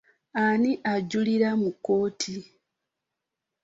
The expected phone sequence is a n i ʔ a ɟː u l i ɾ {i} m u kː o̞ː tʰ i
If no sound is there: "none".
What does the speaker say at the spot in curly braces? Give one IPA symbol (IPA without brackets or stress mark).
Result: a